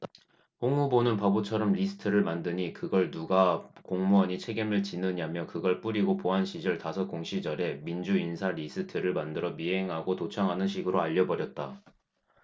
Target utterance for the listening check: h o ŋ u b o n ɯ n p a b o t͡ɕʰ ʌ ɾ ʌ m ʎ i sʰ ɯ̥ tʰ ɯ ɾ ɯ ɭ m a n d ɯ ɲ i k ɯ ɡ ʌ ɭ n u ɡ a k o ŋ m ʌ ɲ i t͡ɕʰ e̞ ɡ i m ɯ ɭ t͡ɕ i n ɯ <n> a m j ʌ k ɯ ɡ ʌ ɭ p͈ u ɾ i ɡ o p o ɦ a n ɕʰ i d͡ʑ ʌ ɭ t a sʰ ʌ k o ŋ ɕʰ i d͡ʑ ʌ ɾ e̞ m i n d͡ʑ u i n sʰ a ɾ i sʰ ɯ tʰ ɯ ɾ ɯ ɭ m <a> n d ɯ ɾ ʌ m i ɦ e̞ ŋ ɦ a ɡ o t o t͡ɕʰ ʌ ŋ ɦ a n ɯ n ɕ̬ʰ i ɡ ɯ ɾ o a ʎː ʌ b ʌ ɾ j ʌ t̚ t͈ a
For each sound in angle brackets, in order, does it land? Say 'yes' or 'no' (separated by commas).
no, yes